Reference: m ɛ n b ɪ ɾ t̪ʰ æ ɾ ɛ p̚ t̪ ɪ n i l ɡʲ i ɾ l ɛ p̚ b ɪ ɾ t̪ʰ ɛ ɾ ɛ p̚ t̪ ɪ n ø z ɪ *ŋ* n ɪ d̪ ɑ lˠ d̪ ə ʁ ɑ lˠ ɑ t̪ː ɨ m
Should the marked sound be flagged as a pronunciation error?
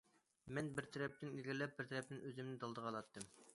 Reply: yes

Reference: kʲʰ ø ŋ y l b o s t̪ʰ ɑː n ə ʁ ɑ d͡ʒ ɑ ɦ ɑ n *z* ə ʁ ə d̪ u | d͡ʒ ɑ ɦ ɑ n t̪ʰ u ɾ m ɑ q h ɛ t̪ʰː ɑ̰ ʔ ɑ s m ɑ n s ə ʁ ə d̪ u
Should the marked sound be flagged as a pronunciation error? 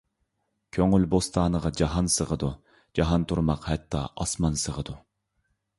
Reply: yes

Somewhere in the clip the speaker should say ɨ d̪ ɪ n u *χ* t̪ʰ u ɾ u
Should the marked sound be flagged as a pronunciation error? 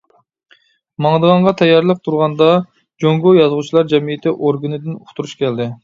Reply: no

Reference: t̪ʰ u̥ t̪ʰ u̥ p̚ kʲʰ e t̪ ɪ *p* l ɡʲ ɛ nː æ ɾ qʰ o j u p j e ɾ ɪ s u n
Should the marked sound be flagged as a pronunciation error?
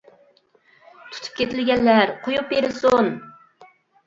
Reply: yes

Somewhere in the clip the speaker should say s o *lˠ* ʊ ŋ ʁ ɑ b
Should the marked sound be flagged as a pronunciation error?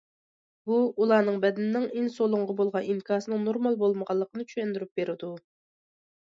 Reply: no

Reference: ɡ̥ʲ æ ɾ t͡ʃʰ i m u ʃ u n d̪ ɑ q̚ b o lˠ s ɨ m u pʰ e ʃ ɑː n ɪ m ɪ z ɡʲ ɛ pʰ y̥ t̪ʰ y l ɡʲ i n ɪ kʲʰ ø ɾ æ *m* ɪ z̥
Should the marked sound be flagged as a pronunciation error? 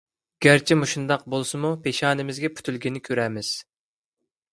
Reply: no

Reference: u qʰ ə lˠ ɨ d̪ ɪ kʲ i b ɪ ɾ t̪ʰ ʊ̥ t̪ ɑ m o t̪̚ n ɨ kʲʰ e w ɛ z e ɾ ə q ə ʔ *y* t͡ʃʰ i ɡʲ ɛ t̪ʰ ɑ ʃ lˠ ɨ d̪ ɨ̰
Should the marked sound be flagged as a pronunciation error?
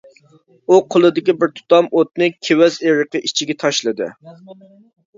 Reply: yes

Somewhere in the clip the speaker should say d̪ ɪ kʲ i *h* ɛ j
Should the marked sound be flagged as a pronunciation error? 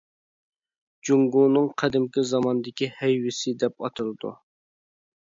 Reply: no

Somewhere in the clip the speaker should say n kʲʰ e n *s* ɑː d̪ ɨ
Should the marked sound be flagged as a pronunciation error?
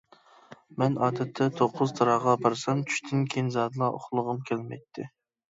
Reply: yes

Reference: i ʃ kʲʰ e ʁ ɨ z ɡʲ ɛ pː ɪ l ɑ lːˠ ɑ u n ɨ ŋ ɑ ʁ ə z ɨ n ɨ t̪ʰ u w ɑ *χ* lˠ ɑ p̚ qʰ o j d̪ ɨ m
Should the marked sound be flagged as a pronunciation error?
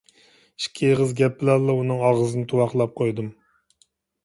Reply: no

